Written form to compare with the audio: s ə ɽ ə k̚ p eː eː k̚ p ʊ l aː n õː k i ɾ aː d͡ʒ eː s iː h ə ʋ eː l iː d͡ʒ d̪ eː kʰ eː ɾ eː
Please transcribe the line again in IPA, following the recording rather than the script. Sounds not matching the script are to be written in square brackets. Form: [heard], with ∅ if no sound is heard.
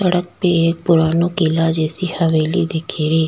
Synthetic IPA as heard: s ə ɽ ə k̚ p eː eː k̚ p ʊ [ɾ] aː n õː k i [l] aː d͡ʒ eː s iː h ə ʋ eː l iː [∅] d̪ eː kʰ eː ɾ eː